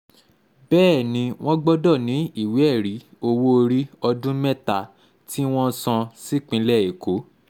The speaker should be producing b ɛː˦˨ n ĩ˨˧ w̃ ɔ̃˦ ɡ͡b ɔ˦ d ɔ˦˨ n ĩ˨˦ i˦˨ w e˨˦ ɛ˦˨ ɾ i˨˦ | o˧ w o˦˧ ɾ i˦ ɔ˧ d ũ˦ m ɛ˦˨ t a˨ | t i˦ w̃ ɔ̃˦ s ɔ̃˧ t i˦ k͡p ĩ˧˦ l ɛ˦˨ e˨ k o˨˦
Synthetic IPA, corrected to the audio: b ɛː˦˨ n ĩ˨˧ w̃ ɔ̃˦ ɡ͡b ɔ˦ d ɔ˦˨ n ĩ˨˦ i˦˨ w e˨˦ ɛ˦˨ ɾ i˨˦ | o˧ w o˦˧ ɾ i˦ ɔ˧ d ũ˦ m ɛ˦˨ t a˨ | t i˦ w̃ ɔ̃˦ s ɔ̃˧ s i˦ k͡p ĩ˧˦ l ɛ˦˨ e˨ k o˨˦

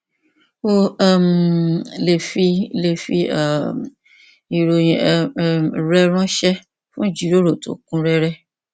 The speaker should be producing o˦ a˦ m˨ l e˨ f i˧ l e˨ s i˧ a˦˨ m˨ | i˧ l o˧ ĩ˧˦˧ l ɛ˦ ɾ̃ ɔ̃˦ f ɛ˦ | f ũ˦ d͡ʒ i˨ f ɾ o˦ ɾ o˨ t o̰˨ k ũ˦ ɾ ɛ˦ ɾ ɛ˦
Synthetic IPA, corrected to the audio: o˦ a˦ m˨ l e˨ f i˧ l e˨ f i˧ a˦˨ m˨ | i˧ ɾ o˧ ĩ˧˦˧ ɾ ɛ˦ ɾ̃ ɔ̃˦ ʃ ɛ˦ | f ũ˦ d͡ʒ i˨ ɾ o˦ ɾ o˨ t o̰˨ k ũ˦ ɾ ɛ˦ ɾ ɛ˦

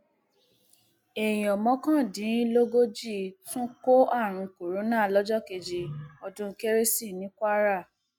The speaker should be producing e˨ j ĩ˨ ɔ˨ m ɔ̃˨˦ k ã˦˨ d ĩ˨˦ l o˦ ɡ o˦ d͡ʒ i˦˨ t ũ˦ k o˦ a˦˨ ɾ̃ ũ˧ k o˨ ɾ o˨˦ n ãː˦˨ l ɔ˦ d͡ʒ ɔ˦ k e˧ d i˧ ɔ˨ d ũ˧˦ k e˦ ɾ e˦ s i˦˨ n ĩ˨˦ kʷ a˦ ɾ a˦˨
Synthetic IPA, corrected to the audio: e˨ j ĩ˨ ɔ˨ m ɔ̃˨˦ k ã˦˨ d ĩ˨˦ l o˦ ɡ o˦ d͡ʒ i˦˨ t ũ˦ k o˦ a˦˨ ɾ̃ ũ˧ k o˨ ɾ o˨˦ n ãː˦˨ l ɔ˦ d͡ʒ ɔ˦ k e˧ d͡ʒ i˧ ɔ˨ d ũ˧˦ k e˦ ɾ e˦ s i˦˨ n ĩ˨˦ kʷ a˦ ɾ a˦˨

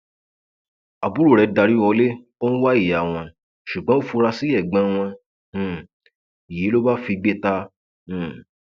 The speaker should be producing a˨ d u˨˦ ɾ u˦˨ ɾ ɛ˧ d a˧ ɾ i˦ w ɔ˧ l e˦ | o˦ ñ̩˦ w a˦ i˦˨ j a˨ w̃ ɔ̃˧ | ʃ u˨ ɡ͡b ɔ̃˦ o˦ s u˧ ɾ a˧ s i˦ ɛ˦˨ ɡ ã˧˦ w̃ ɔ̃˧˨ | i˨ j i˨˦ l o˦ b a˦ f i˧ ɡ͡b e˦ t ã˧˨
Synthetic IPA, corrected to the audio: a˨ b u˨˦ ɾ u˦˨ ɾ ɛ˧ d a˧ ɾ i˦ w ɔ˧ l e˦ | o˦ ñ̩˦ w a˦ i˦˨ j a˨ w̃ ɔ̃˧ | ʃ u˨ ɡ͡b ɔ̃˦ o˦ f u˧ ɾ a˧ s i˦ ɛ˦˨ ɡ͡b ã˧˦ w̃ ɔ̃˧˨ | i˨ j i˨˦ l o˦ b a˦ f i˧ ɡ͡b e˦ t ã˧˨

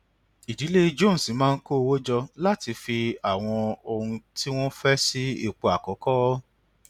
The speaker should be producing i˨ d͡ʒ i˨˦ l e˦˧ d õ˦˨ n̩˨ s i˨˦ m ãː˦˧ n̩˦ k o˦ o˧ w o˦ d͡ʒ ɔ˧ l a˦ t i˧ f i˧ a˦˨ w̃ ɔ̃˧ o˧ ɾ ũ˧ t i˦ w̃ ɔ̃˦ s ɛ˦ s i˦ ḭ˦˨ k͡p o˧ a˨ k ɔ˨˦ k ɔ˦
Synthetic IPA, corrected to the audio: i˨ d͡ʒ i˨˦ l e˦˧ d͡ʒ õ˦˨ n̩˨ s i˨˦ m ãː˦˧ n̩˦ k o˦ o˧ w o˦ d͡ʒ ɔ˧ l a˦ t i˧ f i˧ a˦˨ w̃ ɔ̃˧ o˧ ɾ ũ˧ t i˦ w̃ ɔ̃˦ f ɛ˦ s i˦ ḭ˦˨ k͡p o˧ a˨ k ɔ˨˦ k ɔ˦

